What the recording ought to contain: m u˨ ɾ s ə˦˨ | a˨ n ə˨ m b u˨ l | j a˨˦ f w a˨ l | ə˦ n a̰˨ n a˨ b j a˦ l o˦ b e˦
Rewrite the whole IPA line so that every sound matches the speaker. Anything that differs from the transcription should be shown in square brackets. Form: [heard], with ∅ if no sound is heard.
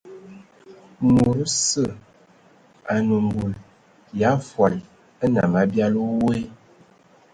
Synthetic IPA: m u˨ ɾ s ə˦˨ | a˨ n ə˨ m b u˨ l | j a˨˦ f w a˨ l | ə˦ n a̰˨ [m] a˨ b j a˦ l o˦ [w] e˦

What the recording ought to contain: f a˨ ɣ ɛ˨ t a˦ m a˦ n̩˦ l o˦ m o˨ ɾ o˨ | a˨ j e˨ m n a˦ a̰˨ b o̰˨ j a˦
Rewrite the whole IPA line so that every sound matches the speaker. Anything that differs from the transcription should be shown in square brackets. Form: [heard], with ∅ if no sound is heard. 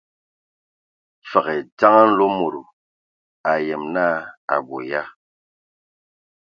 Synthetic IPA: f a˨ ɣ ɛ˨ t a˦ [ŋ] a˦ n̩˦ l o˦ m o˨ ɾ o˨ | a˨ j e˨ m n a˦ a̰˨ b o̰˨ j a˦

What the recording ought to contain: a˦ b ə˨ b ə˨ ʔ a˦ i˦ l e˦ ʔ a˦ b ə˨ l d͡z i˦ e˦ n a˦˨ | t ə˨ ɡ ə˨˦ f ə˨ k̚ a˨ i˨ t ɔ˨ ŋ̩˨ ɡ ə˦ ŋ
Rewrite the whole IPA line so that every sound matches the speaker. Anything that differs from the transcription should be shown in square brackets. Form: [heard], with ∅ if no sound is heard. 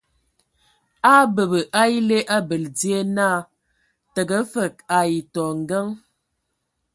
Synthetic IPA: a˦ b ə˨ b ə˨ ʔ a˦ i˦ l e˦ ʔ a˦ b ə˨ l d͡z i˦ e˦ n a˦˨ | t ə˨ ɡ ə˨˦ f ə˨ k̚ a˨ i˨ t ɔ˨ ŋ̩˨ ɡ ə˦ ŋ

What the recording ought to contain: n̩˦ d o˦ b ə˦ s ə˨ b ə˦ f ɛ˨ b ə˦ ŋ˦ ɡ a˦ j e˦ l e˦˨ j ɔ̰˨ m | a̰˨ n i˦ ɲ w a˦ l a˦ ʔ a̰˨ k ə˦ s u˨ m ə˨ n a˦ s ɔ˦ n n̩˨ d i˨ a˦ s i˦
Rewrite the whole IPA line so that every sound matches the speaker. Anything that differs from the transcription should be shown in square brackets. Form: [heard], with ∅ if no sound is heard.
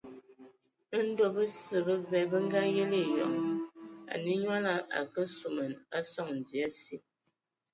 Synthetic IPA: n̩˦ d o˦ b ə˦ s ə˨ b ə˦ [v] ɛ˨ b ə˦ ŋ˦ ɡ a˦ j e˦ l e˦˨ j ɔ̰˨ [ŋ] | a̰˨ n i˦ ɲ w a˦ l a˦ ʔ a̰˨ k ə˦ s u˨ m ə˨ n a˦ s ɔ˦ [ŋ] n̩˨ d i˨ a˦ s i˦

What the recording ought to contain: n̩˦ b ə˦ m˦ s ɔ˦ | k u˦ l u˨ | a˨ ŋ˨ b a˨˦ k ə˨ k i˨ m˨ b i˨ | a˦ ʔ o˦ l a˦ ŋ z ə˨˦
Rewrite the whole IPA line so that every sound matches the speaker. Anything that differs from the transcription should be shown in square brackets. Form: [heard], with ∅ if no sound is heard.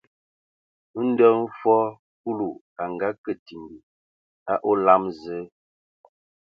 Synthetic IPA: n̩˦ [d] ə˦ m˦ [f] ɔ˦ | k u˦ l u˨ | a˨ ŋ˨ [ɡ] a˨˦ k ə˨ [t] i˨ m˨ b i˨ | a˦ ʔ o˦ l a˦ [m] z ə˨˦

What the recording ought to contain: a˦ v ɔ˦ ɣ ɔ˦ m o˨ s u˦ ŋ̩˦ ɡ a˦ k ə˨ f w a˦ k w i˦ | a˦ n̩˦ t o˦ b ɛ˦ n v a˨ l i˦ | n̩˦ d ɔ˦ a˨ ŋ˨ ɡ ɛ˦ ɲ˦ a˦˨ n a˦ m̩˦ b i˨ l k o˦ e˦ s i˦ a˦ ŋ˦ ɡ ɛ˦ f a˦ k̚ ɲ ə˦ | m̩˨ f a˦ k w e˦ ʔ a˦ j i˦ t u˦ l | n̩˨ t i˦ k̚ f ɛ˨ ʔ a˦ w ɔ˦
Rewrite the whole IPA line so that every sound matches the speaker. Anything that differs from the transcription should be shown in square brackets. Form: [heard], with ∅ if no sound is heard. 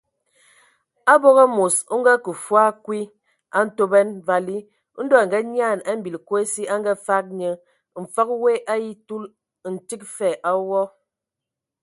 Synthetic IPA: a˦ [b] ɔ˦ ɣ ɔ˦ m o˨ s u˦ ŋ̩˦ ɡ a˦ k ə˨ f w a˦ k w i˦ | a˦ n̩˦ t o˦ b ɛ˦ n v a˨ l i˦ | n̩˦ d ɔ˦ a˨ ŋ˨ ɡ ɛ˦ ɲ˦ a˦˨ n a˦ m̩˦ b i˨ l k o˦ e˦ s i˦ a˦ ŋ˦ ɡ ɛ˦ f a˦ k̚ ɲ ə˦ | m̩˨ f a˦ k w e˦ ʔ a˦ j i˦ t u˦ l | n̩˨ t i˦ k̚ f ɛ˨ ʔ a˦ w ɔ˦

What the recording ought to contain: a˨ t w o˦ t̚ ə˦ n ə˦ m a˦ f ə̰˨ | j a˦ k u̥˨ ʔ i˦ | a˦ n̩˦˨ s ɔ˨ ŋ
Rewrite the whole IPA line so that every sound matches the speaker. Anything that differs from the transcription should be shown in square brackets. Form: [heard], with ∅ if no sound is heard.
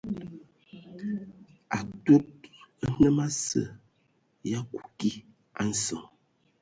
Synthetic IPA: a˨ t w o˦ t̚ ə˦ n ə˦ m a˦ [s] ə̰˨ | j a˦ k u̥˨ [k] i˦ | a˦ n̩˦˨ s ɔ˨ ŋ

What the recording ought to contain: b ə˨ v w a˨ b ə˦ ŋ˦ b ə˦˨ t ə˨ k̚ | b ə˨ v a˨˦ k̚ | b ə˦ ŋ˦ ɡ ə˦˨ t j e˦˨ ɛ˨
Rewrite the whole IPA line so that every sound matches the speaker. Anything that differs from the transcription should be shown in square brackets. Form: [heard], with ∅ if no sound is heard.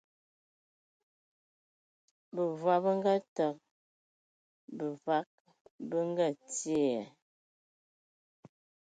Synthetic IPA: b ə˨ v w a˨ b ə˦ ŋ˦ [ɡ] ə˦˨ t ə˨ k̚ | b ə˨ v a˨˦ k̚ | b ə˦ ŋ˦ ɡ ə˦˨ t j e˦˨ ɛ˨

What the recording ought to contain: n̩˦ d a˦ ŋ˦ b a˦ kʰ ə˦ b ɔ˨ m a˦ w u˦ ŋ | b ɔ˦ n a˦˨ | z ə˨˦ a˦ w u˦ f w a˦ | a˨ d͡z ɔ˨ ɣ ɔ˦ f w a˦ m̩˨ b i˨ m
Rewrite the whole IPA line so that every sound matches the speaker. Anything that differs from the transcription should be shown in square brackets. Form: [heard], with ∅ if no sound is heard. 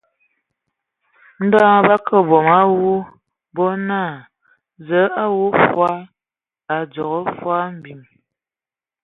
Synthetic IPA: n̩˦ d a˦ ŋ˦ b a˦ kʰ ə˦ b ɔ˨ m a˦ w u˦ [∅] | b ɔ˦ n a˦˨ | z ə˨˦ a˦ w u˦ f w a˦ | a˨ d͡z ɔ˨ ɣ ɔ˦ f w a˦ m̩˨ b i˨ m

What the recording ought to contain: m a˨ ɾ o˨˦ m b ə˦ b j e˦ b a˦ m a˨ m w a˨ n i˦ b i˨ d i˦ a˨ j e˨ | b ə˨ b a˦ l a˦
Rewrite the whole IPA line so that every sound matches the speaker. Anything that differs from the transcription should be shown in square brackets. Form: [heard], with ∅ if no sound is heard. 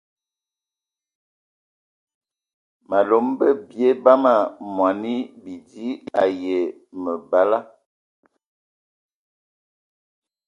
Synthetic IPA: m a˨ [l] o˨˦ m b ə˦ b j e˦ b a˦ m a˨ m w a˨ n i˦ b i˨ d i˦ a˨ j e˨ | [m] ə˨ b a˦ l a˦

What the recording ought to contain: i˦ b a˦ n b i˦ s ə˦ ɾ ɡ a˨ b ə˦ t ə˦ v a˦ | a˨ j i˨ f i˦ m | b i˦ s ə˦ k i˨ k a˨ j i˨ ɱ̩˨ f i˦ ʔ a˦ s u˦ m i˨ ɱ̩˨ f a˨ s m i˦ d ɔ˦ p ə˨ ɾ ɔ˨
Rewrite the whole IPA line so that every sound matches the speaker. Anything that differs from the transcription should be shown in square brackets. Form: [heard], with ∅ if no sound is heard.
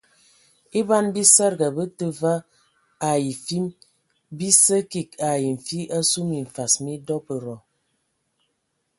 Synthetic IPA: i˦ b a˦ n b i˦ s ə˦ ɾ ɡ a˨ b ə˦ t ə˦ v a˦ | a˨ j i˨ f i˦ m | b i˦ s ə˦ k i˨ k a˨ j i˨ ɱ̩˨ f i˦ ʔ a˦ s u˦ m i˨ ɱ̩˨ f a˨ s m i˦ d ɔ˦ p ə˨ ɾ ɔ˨

